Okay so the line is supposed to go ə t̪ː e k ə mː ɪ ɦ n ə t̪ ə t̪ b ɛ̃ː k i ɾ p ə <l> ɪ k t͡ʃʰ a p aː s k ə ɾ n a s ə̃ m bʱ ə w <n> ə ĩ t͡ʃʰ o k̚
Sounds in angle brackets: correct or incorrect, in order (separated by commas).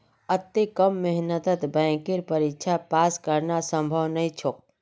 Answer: incorrect, correct